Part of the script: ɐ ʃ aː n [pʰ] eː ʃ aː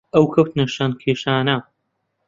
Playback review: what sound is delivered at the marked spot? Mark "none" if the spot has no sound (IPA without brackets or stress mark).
kʰ